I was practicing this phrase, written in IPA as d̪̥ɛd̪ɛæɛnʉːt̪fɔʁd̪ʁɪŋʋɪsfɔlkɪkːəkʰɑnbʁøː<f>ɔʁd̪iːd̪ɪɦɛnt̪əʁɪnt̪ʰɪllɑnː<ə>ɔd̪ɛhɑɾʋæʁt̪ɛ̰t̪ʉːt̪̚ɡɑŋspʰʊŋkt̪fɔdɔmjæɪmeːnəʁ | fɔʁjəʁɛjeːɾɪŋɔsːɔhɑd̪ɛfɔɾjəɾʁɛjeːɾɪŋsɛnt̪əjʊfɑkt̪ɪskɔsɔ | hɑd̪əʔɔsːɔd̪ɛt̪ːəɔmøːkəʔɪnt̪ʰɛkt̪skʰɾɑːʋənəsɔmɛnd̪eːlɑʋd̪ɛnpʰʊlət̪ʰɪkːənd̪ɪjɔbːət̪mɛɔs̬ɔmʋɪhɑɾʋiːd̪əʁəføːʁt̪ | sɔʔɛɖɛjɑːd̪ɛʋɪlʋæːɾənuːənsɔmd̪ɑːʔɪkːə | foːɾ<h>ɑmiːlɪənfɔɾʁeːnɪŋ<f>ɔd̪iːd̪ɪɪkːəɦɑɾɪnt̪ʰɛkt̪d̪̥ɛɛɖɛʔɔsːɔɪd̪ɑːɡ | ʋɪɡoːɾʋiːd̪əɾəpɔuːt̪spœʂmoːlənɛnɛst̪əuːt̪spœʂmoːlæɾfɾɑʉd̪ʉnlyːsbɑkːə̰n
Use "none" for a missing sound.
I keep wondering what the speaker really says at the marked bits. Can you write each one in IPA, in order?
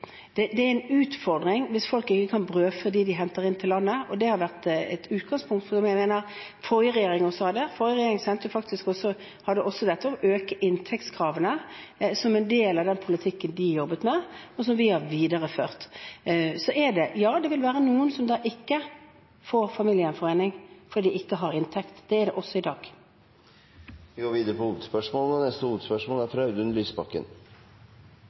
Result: f, ə, f, f

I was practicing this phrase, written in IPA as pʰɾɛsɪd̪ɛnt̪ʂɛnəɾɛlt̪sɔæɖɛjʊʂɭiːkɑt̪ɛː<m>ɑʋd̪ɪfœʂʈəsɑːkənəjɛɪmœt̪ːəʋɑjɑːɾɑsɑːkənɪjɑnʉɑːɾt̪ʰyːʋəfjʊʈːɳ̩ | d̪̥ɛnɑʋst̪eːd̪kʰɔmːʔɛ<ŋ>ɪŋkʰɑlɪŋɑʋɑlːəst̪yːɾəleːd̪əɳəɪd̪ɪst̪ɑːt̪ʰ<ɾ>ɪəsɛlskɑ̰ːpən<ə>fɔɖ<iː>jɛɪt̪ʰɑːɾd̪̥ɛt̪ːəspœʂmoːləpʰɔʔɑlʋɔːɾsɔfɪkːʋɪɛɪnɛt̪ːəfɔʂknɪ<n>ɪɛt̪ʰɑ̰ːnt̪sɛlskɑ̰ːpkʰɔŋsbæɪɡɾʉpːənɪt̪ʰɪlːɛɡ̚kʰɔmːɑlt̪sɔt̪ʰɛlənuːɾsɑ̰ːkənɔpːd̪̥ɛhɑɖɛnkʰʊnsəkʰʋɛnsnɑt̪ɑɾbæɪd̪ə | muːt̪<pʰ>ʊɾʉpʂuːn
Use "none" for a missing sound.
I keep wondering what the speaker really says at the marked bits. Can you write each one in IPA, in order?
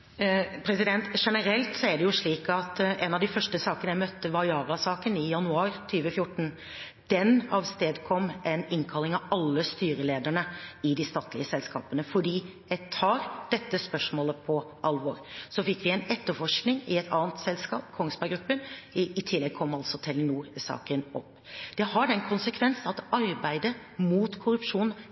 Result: n, n, l, ə, iː, ŋ, kʰ

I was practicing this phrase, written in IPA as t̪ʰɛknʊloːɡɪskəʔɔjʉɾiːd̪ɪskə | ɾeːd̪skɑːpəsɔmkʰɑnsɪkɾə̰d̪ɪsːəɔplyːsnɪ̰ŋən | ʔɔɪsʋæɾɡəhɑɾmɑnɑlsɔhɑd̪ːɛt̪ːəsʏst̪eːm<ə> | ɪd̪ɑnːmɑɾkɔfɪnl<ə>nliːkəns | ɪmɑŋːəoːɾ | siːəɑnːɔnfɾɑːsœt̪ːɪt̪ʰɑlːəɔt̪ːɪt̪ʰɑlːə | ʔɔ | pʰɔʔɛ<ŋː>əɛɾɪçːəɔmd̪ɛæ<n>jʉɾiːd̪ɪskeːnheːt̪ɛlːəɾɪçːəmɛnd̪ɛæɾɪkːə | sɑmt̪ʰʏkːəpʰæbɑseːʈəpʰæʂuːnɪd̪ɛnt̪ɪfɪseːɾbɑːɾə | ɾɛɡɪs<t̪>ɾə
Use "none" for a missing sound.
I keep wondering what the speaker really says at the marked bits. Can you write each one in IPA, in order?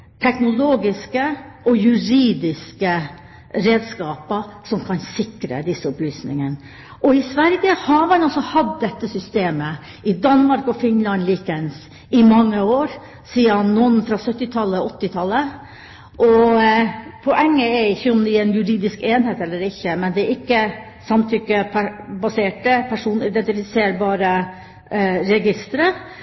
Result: ə, ɑ, ŋː, n, t̪

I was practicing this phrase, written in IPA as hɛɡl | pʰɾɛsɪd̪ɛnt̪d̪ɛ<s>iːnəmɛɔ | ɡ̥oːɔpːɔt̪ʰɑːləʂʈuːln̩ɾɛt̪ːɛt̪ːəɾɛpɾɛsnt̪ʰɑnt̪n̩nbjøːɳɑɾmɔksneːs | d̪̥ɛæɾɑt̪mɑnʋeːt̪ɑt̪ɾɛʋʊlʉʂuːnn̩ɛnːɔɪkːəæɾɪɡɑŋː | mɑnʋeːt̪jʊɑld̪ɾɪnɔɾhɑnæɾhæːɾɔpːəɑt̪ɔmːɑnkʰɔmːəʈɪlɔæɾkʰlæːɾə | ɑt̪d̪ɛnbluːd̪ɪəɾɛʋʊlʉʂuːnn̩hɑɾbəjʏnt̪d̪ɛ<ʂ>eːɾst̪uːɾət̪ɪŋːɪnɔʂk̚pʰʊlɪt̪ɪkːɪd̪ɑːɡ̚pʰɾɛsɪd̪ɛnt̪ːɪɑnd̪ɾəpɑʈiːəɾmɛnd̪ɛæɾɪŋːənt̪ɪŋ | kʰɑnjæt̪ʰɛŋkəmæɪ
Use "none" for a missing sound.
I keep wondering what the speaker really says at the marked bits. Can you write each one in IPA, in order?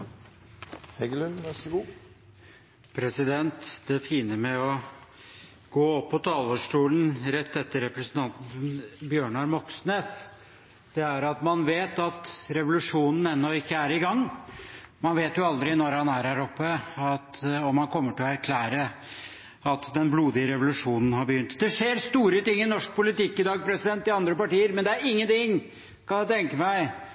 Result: f, ʂ

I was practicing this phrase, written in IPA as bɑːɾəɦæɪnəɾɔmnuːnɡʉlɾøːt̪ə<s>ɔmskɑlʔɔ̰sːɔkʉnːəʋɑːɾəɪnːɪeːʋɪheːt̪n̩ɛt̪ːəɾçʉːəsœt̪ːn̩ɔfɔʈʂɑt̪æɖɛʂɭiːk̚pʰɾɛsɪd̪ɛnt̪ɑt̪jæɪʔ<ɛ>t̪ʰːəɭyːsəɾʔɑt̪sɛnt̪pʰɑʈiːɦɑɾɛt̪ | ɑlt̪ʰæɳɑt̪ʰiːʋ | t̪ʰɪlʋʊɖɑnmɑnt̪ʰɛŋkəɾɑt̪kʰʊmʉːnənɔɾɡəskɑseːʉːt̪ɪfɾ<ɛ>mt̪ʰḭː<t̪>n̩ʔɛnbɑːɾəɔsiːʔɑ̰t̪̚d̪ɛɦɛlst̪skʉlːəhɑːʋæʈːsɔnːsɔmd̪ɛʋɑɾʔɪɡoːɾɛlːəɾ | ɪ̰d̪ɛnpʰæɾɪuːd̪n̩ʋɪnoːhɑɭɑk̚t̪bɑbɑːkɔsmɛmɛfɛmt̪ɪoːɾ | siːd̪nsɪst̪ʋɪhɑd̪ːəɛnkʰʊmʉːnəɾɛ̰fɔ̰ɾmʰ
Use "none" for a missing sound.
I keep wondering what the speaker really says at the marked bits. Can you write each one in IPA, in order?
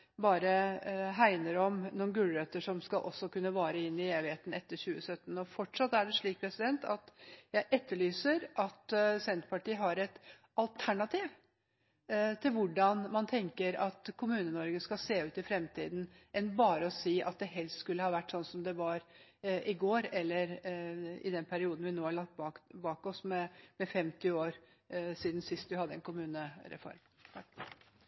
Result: ʂ, ɛ, ɛ, d̪

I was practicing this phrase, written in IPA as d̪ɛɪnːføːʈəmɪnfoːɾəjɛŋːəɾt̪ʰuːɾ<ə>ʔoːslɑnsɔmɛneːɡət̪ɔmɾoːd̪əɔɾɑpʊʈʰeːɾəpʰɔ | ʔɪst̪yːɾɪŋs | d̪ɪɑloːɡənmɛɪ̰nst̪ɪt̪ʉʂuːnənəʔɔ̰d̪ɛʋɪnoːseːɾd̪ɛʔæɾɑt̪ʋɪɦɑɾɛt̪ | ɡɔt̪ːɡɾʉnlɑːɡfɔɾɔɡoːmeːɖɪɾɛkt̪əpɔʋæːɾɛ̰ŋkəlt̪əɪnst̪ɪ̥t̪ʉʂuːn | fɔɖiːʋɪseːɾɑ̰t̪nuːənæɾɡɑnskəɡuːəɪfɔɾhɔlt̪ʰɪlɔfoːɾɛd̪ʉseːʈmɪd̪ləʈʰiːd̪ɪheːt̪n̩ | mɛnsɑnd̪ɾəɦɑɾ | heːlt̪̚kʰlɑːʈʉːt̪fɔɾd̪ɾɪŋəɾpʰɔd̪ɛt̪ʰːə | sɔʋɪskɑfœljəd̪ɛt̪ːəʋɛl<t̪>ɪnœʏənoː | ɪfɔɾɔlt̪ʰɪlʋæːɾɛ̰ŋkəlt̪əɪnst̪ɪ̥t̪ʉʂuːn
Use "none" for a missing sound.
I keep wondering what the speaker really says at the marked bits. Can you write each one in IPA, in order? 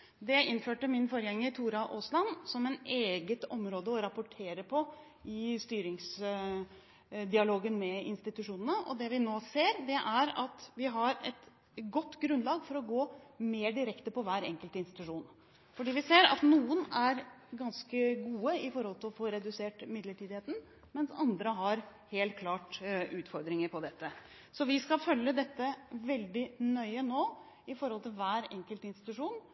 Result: ɑ, d̪

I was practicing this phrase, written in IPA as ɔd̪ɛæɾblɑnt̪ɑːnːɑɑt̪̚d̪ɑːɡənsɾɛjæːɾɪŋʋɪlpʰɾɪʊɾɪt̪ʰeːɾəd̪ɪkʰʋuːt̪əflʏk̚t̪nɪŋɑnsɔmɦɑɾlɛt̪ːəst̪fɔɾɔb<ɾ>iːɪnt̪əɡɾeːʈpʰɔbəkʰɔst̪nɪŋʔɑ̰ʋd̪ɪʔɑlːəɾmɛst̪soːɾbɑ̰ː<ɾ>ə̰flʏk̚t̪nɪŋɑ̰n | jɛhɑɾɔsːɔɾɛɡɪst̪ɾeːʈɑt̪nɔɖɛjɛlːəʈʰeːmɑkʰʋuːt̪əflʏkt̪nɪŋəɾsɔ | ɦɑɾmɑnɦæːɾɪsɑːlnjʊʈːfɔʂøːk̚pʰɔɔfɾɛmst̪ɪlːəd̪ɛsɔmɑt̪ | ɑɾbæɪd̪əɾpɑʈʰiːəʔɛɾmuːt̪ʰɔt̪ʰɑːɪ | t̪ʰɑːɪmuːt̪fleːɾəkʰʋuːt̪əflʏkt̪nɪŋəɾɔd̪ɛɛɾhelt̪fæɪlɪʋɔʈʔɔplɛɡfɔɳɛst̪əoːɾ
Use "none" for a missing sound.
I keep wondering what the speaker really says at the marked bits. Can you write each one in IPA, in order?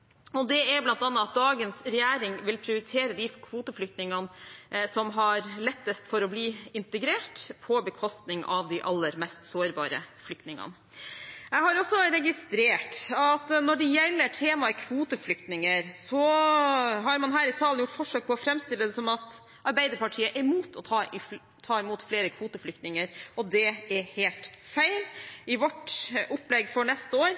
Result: l, ɾ

